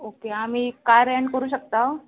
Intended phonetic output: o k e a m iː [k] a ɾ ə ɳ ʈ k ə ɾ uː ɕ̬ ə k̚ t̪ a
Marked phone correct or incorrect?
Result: correct